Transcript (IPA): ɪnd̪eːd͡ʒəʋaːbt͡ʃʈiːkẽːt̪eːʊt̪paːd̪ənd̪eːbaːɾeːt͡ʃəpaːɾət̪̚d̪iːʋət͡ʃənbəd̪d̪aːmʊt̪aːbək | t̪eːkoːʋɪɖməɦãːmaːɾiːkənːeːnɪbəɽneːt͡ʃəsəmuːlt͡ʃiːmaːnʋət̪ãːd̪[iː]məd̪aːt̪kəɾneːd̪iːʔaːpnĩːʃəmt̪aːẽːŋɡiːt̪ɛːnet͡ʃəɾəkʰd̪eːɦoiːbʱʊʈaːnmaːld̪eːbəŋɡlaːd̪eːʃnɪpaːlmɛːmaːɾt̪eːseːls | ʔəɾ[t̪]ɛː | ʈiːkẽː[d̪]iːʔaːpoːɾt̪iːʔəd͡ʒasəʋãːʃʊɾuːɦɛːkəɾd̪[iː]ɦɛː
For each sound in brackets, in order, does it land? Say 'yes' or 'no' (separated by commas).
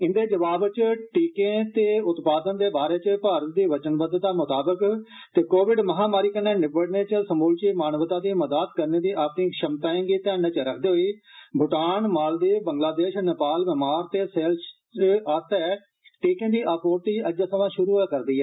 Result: yes, yes, yes, yes